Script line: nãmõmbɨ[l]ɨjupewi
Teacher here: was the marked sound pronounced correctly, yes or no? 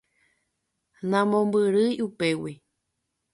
no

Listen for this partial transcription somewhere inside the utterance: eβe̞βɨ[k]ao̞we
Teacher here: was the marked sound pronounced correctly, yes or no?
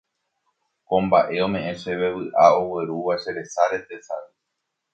no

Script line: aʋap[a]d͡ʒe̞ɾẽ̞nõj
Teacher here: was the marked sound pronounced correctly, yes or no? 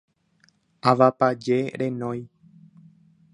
yes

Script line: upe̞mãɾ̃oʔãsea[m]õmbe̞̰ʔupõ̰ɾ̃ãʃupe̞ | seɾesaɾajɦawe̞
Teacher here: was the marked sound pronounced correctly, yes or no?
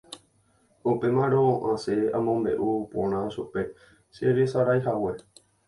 yes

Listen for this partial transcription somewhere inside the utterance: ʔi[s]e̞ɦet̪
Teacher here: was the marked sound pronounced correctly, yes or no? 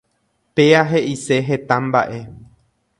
yes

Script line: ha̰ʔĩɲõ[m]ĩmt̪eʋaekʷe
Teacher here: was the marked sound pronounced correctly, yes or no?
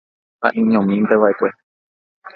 yes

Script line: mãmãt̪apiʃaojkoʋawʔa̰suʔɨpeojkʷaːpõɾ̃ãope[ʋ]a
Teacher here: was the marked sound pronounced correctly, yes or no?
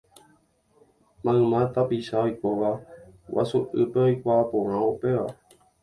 yes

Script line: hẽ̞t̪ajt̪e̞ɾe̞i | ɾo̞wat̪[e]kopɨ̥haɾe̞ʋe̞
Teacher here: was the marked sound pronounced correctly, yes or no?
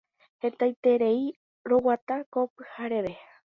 no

